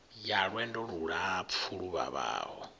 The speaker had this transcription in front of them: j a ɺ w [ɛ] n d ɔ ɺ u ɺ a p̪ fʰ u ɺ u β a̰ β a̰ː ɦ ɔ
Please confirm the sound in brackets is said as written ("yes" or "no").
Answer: yes